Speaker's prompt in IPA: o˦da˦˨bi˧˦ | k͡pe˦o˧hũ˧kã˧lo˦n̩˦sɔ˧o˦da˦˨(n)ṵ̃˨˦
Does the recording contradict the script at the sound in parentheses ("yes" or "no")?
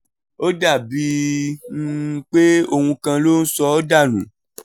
no